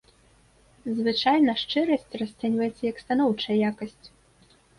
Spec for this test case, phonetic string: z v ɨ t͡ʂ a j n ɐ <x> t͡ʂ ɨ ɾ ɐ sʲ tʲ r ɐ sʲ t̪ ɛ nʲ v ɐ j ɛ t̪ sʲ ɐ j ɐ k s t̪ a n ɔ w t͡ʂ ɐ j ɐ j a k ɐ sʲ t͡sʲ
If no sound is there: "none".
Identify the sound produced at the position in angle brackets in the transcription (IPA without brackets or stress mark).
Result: ʂ